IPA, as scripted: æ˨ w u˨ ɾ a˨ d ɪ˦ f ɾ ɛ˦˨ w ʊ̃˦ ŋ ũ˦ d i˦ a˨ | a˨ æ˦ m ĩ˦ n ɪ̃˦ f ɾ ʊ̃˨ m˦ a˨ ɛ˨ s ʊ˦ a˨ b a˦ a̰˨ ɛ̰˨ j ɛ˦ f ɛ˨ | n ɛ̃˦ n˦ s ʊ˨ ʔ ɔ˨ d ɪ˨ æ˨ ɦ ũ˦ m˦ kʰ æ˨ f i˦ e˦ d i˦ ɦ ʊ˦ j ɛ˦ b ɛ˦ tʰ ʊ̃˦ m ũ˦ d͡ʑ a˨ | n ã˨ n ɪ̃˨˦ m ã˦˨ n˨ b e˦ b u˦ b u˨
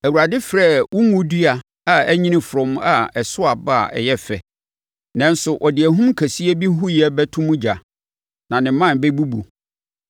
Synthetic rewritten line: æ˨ w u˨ ɾ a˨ d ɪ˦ f ɾ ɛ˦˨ w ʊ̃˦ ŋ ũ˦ d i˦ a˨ | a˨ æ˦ ɲ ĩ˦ n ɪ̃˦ f ɾ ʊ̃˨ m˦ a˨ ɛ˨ s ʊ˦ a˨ b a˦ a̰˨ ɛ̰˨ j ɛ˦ f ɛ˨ | n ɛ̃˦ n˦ s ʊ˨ ʔ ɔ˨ d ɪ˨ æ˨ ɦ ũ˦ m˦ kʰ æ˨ s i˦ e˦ b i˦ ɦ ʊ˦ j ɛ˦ b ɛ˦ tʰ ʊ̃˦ m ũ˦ d͡ʑ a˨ | n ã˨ n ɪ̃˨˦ m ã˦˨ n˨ b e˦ b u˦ b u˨